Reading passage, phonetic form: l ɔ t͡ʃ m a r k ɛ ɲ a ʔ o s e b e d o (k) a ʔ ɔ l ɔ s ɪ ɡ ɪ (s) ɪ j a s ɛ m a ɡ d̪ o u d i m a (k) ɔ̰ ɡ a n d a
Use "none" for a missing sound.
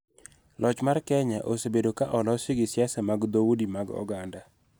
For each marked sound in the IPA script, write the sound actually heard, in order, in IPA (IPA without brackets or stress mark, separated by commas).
k, s, ɡ